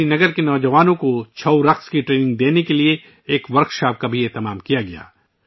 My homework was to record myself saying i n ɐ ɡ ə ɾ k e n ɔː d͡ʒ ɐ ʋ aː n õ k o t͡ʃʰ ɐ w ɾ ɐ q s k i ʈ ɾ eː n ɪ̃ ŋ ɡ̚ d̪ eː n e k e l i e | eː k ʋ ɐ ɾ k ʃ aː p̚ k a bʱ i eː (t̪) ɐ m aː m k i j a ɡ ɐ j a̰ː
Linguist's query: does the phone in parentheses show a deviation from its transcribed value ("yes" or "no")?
no